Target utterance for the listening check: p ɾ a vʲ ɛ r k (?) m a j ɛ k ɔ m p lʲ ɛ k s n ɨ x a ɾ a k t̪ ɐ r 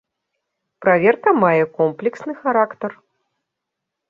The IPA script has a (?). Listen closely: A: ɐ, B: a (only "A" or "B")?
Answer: A